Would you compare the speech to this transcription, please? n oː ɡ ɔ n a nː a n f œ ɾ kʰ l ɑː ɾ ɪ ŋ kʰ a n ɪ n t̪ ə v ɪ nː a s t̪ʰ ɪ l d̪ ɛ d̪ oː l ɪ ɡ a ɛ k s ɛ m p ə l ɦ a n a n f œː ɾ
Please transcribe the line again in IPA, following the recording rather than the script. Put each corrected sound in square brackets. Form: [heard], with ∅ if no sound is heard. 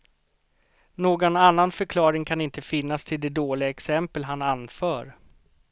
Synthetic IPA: n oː ɡ ɔ n a nː a n f œ ɾ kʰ l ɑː ɾ ɪ ŋ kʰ a n ɪ n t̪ ə [f] ɪ nː a s t̪ʰ ɪ l d̪ ɛ d̪ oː l ɪ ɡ a ɛ k s ɛ m p ə l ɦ a n a n f œː ɾ